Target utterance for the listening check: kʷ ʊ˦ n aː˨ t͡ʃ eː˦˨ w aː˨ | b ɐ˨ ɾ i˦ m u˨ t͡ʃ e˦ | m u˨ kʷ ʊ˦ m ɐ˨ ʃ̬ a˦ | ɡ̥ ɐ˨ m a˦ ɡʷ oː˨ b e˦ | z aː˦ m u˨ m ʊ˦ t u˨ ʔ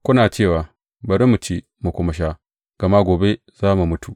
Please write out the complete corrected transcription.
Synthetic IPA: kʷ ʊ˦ n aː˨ t͡ʃ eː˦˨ w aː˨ | b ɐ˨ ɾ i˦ m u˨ t͡ʃ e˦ | m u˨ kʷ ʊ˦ m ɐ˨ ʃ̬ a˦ | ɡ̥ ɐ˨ m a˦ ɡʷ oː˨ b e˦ | z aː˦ m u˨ m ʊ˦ t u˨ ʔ

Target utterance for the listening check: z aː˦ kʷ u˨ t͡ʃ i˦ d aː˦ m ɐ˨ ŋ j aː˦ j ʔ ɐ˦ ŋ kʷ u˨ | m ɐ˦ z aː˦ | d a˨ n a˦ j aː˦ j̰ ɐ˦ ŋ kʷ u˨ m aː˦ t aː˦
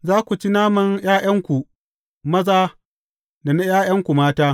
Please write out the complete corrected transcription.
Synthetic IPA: z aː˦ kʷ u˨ t͡ʃ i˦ n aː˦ m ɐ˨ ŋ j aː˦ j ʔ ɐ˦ ŋ kʷ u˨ | m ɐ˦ z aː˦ | d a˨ n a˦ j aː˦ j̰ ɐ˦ ŋ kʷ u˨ m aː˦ t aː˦

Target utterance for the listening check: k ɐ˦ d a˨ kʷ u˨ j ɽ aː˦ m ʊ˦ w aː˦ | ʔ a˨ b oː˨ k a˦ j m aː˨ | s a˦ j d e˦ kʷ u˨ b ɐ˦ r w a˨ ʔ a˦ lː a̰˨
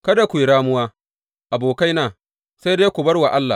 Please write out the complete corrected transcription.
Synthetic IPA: k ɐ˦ d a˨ kʷ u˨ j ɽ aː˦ m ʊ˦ w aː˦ | ʔ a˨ b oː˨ k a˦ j n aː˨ | s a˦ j d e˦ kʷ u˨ b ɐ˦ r w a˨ ʔ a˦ lː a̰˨

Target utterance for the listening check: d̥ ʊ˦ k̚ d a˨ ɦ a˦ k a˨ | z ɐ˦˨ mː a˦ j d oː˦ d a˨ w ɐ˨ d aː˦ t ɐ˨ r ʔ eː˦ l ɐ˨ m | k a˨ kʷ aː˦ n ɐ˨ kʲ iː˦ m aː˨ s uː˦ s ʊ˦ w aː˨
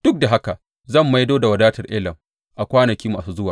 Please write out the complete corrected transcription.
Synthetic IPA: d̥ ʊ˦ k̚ d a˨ ɦ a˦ k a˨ | z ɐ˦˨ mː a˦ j d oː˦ d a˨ w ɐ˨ d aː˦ t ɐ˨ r ʔ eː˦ l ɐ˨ m | ʔ a˨ kʷ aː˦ n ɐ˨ kʲ iː˦ m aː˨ s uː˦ z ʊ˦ w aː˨

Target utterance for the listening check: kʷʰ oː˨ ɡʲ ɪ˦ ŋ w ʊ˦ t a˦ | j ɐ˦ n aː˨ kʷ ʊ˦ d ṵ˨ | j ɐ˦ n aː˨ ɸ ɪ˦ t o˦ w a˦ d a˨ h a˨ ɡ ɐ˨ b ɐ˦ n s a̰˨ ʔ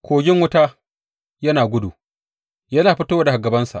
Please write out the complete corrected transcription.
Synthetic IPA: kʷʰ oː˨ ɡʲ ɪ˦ ŋ w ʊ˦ t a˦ | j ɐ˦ n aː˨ ɡʷ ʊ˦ d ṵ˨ | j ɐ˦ n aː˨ ɸ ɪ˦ t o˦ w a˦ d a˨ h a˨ ɡ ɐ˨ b ɐ˦ n s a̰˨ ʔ

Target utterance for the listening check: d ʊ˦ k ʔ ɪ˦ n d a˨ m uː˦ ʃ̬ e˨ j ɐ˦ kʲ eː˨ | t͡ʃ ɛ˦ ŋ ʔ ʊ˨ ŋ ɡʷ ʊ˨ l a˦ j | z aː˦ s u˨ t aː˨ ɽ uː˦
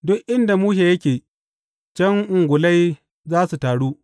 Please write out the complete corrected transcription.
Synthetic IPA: d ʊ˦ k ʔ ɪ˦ n d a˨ m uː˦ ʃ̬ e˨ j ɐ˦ kʲ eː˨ | t͡ʃ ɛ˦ ŋ ʔ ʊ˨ ŋ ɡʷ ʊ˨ l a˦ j | z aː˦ s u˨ t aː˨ ɽ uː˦

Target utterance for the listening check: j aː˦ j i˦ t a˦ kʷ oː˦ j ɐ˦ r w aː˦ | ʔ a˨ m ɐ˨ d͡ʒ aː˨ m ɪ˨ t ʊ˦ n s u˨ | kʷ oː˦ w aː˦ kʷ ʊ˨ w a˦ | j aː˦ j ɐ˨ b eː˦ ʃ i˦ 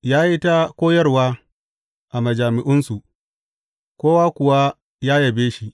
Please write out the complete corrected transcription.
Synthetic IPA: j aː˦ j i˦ t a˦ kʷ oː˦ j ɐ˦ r w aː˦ | ʔ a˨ m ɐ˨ d͡ʒ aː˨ m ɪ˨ ʔ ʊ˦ n s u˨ | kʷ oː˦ w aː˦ kʷ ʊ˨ w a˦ | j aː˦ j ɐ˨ b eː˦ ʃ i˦

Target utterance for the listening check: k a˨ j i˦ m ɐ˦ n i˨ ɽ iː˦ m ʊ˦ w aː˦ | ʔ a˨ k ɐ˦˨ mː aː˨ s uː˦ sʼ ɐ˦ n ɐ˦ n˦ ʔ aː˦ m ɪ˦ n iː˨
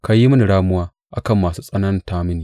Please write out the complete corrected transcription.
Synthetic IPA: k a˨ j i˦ m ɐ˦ n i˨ ɽ aː˦ m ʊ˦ w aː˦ | ʔ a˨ k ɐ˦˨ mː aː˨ s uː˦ sʼ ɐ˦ n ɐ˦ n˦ t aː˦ m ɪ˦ n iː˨

